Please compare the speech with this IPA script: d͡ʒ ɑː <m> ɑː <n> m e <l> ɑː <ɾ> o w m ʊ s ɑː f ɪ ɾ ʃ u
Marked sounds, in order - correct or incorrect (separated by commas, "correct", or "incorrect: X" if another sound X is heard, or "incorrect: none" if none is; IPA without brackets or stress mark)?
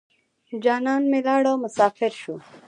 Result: incorrect: n, correct, correct, incorrect: ɽ